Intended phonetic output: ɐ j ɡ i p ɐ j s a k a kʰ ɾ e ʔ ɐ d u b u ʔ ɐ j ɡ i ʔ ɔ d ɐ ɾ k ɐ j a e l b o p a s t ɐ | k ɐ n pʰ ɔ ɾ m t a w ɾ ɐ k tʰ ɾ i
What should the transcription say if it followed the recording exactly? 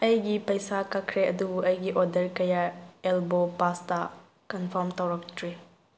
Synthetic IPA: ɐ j ɡ i p ɐ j s a k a kʰ ɾ e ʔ ɐ d u b u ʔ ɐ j ɡ i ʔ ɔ d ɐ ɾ k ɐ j a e l b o p a s t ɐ | k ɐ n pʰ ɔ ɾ m t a w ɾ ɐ k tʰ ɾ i